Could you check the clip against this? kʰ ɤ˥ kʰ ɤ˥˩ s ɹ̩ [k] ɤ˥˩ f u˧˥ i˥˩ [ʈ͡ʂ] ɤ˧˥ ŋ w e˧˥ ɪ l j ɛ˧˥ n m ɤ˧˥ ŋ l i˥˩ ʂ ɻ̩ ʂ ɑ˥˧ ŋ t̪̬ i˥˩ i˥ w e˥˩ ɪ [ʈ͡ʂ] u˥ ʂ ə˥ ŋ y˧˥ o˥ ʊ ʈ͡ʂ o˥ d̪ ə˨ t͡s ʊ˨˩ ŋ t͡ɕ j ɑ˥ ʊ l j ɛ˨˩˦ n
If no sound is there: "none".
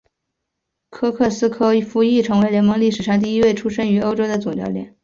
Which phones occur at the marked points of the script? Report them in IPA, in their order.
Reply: kʰ, ʈ͡ʂʰ, ʈ͡ʂʰ

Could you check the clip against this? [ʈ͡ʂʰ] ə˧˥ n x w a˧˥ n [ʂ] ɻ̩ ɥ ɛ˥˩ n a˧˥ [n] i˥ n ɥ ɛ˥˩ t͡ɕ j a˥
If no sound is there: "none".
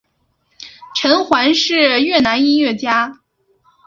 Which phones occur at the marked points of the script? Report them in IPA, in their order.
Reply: ʈ͡ʂʰ, ʂ, n

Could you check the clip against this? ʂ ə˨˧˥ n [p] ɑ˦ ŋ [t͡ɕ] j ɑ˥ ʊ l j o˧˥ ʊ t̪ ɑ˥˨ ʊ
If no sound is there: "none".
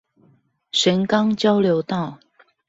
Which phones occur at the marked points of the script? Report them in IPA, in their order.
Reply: k, t͡ɕ

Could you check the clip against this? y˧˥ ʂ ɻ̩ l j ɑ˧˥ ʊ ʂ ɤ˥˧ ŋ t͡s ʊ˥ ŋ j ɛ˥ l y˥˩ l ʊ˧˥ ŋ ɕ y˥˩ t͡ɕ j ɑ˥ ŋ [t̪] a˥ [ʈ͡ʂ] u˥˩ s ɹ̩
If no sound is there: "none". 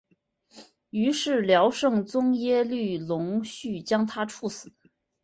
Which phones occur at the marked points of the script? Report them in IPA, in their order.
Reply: t̪ʰ, ʈ͡ʂʰ

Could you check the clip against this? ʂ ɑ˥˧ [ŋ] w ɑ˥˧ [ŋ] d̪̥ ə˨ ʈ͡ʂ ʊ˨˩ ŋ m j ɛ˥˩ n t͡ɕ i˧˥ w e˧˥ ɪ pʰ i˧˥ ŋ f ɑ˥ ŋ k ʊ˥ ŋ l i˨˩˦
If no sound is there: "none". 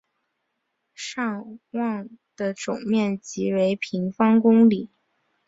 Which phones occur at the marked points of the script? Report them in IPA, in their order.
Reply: ŋ, ŋ

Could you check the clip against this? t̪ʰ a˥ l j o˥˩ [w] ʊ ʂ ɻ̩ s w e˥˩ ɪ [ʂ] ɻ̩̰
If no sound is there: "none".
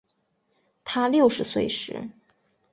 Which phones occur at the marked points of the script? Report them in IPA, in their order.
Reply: none, ʂ

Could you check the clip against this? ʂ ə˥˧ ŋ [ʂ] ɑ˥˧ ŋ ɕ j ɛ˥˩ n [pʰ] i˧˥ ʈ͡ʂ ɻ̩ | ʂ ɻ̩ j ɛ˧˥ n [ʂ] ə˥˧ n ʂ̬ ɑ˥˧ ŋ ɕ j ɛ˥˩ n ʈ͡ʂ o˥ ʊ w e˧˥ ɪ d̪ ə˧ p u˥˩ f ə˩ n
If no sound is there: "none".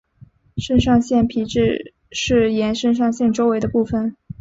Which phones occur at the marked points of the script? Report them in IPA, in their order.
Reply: ʂ, pʰ, ʂ

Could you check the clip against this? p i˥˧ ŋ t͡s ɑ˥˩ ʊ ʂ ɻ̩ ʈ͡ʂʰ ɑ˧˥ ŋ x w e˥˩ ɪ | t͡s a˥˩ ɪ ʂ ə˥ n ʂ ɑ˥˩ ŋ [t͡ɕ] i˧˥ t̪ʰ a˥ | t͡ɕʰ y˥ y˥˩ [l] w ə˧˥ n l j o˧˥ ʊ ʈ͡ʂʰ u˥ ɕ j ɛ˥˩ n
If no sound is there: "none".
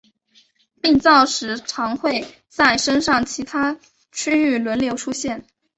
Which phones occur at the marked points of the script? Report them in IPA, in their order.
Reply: t͡ɕʰ, l

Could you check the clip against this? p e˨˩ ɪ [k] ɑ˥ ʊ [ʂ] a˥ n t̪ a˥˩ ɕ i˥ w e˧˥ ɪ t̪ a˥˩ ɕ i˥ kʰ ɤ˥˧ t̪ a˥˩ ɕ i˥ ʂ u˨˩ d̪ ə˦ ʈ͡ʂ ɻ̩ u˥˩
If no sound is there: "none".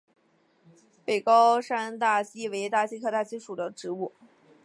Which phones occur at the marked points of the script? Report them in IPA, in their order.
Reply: k, ʂ

